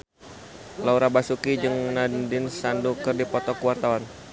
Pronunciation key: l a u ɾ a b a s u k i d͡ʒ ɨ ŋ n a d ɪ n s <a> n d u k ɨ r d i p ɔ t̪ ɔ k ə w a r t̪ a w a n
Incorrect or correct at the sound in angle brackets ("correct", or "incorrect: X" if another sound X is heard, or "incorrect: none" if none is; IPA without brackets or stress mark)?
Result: correct